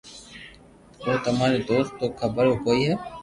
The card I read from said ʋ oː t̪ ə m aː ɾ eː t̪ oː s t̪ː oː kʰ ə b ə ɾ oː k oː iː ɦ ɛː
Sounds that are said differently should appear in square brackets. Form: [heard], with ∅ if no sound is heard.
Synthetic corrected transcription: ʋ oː t̪ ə m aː ɾ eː [d̪] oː s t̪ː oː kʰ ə b ə ɾ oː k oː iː ɦ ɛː